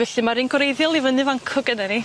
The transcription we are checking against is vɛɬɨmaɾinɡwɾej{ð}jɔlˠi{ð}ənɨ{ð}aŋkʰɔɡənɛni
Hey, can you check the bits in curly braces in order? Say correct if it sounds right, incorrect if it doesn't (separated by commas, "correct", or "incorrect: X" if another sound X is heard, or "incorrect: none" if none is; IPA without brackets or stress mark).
correct, incorrect: v, incorrect: v